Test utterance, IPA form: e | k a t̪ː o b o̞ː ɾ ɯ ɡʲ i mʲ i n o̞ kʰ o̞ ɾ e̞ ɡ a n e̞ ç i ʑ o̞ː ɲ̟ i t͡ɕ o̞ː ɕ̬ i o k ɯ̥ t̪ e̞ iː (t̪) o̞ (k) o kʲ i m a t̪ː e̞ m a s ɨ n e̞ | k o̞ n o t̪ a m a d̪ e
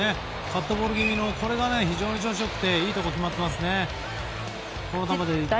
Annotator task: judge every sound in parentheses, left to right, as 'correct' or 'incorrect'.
correct, correct

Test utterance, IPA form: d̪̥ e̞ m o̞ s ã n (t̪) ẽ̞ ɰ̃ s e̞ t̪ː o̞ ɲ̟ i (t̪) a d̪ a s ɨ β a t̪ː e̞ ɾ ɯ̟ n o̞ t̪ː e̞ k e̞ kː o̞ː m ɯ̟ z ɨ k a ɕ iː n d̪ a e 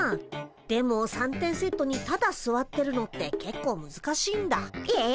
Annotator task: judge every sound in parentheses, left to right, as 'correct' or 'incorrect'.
correct, correct

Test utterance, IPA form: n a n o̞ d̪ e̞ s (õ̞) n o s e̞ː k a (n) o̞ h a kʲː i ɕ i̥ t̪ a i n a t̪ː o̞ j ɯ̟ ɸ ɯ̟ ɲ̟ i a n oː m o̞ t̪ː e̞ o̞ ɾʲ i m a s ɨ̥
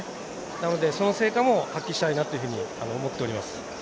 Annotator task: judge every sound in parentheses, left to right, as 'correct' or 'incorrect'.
incorrect: o̞, incorrect: m

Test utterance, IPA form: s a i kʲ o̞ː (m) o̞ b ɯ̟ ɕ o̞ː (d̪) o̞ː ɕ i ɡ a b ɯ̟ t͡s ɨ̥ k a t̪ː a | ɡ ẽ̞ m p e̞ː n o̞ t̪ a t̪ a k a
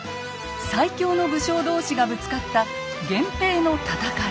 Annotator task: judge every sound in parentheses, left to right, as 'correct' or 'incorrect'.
incorrect: n, correct

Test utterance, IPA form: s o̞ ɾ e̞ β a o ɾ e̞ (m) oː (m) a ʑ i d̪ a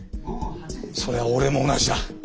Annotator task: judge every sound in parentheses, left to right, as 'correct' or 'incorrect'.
correct, incorrect: n

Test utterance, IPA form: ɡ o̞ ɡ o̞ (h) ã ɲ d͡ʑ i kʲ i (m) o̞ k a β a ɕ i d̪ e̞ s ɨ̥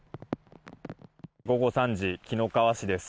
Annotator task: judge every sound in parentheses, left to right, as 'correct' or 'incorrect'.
incorrect: s, incorrect: n

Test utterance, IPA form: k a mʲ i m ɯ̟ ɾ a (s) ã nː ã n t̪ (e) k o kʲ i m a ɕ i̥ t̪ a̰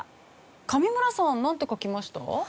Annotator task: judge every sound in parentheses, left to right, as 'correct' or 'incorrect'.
correct, correct

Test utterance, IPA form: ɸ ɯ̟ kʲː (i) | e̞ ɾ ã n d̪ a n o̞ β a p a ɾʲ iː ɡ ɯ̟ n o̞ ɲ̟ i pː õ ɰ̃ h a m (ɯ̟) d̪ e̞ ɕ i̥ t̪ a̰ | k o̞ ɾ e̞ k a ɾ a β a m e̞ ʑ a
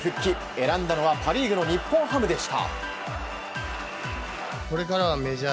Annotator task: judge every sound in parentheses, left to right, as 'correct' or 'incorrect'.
correct, correct

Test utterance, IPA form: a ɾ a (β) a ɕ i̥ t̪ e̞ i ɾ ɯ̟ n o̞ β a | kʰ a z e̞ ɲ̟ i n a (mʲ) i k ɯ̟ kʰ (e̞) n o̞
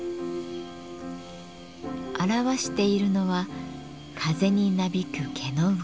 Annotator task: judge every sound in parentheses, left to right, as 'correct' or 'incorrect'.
correct, incorrect: bʲ, correct

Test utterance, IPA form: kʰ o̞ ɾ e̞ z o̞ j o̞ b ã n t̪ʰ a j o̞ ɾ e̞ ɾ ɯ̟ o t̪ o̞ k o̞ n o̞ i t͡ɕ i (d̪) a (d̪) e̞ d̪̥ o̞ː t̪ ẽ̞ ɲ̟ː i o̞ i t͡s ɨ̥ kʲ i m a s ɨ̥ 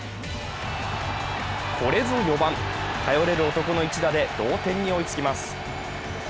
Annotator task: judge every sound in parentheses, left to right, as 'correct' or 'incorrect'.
correct, correct

